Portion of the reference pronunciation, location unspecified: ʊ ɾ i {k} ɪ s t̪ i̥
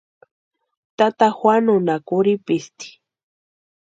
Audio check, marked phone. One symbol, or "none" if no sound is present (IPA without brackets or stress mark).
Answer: p